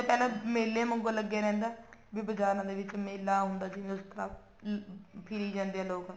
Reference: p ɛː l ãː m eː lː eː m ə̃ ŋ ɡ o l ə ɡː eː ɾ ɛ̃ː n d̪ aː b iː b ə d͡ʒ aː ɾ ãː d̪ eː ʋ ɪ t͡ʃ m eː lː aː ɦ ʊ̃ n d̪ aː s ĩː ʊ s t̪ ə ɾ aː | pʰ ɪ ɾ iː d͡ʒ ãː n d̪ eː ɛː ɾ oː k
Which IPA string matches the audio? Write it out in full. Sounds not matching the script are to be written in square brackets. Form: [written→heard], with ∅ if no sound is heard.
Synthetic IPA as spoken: p ɛː l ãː m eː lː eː m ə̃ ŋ ɡ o l ə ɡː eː ɾ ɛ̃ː n d̪ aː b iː b ə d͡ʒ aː ɾ ãː d̪ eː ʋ ɪ t͡ʃ m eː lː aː ɦ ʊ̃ n d̪ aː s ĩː ʊ s t̪ ə ɾ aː | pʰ ɪ ɾ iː d͡ʒ ãː n d̪ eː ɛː [ɾ→l] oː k